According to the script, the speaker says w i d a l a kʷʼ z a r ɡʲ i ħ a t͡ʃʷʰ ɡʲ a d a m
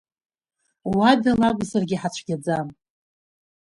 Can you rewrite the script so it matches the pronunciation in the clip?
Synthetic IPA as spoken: w a d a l a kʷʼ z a r ɡʲ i ħ a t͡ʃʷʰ ɡʲ a d͡z a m